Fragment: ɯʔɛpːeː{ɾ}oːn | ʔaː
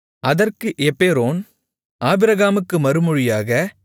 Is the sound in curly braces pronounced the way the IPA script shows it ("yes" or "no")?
yes